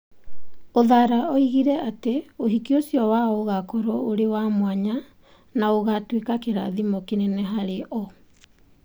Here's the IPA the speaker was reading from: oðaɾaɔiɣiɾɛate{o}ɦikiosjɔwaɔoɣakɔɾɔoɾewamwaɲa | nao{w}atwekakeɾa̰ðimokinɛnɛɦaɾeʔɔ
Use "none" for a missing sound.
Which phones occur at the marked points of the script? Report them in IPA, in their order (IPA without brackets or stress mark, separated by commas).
o, ɣ